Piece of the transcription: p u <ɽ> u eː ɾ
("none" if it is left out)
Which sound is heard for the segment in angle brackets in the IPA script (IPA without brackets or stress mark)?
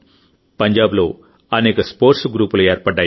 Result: l